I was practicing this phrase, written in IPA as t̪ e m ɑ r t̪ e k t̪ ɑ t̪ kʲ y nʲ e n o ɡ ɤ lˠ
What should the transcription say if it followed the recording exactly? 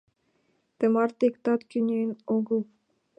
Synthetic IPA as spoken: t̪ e m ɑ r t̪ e k t̪ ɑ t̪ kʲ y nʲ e n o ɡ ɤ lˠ